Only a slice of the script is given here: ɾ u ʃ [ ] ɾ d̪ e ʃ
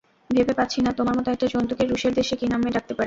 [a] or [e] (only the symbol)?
e